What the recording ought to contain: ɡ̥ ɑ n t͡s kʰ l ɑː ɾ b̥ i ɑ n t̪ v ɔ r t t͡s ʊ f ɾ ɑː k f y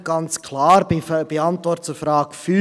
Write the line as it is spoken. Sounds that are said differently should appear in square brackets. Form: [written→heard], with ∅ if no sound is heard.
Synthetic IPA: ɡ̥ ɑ n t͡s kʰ l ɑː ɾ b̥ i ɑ n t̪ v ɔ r t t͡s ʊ f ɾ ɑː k f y